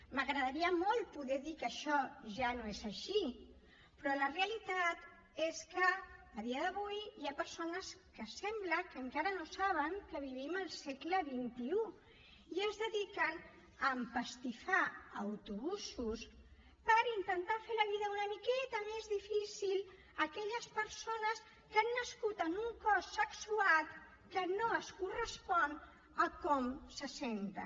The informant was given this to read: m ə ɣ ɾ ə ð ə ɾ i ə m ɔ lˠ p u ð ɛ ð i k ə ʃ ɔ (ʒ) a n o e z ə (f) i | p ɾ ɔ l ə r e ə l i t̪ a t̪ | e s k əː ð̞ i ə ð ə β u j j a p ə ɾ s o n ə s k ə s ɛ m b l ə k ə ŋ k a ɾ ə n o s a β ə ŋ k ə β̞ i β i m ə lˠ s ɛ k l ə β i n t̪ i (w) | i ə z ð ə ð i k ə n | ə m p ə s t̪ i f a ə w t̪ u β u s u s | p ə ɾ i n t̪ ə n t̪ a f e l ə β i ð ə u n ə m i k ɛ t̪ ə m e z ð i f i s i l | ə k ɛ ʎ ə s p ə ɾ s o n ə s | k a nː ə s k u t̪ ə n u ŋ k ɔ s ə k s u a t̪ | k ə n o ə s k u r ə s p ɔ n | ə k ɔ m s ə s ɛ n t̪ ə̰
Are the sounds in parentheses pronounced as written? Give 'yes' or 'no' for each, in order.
yes, no, no

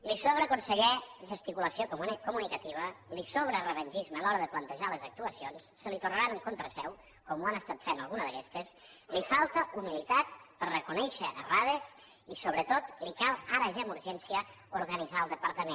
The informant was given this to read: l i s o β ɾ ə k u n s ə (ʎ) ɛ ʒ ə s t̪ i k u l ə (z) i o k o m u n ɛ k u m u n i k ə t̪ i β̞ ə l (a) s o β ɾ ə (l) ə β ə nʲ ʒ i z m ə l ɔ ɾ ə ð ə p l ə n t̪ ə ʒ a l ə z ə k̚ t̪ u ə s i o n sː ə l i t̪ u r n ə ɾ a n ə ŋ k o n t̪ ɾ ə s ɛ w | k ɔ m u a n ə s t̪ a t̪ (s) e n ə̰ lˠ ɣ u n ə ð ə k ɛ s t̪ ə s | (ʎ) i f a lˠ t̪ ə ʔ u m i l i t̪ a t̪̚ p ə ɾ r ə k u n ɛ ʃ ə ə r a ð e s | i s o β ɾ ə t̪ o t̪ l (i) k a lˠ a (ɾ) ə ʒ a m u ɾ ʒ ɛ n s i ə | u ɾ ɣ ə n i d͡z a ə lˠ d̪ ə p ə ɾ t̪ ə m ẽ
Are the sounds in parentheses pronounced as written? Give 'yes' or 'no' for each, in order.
yes, no, no, no, no, no, yes, yes

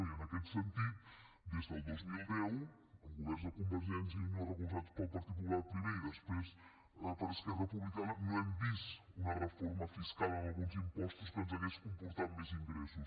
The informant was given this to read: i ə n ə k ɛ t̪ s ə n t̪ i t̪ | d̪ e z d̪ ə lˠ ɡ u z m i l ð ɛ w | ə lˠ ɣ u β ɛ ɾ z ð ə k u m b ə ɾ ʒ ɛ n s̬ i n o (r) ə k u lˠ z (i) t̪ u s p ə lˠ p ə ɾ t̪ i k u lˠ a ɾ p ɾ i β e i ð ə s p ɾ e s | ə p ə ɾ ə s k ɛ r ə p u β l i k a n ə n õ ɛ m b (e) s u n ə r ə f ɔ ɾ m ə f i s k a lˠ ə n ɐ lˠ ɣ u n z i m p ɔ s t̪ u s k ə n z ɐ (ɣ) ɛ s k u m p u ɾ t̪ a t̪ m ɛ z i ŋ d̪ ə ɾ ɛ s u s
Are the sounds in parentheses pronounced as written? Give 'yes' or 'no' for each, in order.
yes, no, no, yes

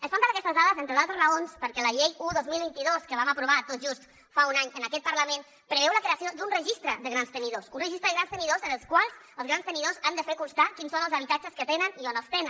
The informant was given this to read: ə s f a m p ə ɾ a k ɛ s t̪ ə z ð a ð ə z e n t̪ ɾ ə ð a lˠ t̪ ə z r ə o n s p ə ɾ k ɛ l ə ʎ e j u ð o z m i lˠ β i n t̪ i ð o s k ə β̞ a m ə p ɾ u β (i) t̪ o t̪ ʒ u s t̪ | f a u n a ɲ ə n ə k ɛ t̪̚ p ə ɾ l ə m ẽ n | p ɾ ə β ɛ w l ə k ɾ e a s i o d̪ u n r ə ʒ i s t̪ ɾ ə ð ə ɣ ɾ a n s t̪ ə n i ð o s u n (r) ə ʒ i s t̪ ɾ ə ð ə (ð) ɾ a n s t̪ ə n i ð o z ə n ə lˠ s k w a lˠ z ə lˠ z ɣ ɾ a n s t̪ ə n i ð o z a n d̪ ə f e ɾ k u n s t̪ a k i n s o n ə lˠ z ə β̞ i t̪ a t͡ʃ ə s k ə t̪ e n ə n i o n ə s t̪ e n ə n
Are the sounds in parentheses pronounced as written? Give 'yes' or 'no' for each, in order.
no, yes, no

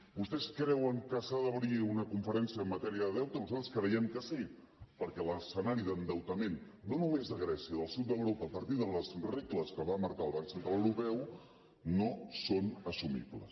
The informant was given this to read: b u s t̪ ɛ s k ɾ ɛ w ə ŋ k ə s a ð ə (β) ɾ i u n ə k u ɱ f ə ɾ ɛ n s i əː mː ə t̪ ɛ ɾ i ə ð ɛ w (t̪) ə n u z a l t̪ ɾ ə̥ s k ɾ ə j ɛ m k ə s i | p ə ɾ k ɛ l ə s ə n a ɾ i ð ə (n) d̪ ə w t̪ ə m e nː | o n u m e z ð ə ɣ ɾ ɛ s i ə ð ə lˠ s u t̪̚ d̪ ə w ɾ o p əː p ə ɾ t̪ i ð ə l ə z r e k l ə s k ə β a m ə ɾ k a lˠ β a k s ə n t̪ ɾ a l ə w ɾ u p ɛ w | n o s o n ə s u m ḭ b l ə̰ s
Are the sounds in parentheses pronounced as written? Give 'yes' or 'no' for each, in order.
yes, yes, yes

